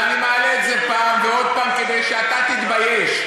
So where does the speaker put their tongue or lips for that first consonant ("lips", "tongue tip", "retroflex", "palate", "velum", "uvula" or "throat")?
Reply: tongue tip